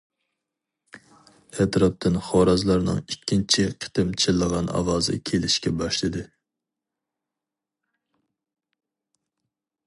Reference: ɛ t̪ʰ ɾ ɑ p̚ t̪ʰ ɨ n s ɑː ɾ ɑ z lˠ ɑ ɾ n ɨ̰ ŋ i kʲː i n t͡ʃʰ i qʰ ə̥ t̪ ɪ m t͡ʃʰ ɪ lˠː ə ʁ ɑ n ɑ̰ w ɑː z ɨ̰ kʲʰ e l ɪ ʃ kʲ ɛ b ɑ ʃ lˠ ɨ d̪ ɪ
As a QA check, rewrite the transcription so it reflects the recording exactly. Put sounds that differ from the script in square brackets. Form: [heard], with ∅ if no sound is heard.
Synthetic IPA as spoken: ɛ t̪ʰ ɾ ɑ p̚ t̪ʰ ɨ n [χ] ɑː ɾ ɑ z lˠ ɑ ɾ n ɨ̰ ŋ i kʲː i n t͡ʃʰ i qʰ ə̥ t̪ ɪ m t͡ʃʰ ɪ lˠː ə ʁ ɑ n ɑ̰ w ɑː z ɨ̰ kʲʰ e l ɪ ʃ kʲ ɛ b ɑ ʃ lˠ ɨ d̪ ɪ